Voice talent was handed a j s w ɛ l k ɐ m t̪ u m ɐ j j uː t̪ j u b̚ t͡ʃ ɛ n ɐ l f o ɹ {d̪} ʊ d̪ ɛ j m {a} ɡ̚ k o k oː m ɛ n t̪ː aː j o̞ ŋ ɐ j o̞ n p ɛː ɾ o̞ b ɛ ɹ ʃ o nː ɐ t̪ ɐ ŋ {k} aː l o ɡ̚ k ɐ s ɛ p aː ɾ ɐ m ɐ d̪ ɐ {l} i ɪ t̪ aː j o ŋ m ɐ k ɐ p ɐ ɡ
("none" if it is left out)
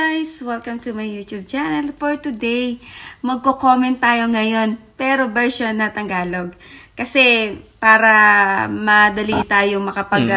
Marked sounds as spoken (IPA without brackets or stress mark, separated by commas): t̪, ɐ, ɡ, l